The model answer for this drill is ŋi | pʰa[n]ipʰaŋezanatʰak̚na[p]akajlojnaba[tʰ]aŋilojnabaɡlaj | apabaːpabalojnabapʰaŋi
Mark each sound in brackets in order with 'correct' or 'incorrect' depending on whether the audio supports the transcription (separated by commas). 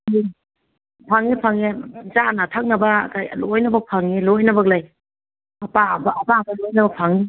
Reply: incorrect, incorrect, incorrect